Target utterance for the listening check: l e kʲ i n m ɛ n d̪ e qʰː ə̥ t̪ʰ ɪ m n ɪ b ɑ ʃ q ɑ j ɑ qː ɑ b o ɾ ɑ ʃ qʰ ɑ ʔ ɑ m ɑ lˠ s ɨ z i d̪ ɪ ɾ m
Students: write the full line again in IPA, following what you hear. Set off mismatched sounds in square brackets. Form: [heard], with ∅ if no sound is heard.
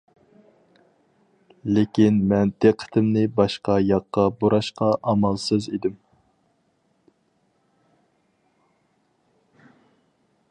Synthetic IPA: l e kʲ i n m ɛ n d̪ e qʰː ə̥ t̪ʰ ɪ m n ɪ b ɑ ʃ q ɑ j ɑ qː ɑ b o ɾ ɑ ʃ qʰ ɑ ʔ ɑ m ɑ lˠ s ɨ z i d̪ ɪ [∅] m